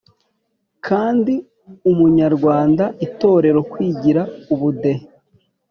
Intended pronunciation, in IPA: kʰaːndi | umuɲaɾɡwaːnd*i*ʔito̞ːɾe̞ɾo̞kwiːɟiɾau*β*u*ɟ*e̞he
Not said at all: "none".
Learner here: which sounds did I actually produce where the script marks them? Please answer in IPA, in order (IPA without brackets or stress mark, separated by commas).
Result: a, β, d